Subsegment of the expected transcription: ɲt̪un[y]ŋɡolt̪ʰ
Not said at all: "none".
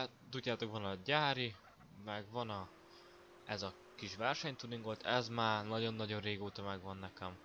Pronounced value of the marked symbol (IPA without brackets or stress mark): i